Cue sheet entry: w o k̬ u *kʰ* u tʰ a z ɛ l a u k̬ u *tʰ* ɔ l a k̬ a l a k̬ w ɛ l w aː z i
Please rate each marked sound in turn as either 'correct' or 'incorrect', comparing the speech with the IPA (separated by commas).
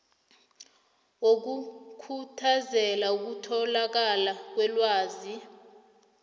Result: correct, correct